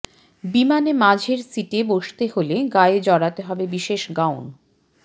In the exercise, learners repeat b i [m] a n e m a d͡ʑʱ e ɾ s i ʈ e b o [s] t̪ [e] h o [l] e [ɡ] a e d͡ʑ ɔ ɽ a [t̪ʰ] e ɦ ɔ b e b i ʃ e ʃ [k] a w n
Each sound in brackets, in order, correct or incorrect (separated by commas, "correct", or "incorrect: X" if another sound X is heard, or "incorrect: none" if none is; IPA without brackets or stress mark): correct, incorrect: ʃ, correct, correct, correct, incorrect: t̪, incorrect: ɡ